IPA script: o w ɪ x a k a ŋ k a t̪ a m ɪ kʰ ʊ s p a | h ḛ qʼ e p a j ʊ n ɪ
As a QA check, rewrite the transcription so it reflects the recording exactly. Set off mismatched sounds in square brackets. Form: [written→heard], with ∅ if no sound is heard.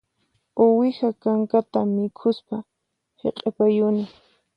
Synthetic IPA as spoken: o w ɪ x a k a ŋ k a t̪ a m ɪ kʰ ʊ s p a | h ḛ qʼ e p a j ʊ n ɪ